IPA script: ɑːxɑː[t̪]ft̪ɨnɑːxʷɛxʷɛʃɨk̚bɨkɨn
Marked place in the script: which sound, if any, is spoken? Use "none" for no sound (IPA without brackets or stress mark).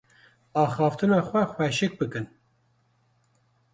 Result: none